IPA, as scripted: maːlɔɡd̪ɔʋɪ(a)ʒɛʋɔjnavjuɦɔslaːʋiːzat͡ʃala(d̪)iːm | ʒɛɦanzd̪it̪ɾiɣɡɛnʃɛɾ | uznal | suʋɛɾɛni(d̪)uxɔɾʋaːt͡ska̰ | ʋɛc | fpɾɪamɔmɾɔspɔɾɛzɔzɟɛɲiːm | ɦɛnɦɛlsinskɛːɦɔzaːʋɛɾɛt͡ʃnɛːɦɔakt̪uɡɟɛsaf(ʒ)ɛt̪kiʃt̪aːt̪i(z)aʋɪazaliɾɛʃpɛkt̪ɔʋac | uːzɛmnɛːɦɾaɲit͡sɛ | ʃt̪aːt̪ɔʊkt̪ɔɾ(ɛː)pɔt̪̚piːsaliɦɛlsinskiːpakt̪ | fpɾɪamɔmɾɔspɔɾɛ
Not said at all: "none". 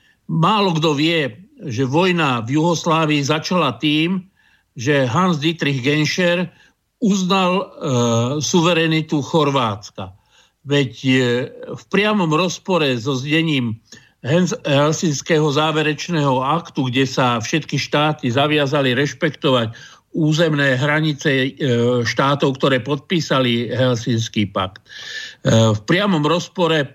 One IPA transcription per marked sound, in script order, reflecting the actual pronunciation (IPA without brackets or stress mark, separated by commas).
ɛ, t̪, t̪, ʃ, z, ɛː